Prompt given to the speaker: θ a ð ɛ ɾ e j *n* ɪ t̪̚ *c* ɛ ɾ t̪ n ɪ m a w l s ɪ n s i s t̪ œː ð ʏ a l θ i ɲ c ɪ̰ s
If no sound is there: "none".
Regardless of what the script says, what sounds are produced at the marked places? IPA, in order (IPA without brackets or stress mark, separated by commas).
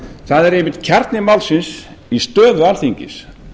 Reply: m, cʰ